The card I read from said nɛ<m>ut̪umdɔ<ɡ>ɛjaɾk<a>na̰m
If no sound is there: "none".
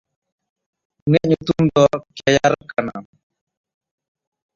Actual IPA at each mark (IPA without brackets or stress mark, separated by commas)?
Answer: ɲ, k, a